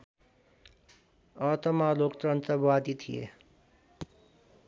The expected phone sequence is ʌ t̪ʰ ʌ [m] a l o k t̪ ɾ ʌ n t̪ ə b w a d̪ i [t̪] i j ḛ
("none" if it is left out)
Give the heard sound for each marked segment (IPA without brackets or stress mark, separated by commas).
m, t̪ʰ